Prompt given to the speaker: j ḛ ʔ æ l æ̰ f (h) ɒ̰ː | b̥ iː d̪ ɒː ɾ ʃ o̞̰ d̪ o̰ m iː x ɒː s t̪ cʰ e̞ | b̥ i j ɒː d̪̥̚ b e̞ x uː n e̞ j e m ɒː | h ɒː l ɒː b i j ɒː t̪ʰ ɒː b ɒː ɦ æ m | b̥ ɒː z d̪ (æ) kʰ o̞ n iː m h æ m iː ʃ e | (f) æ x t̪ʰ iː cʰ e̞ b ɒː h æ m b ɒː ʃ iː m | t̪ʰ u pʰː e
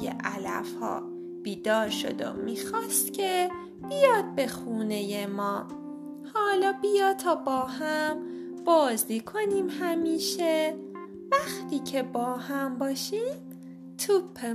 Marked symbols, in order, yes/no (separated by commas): yes, no, no